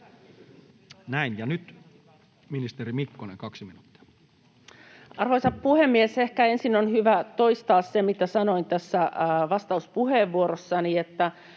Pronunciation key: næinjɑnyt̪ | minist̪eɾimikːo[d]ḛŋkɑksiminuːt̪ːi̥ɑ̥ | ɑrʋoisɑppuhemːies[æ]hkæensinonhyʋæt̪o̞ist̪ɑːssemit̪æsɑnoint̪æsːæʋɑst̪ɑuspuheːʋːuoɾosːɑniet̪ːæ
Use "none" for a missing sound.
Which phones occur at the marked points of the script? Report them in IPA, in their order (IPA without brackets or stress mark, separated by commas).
n, e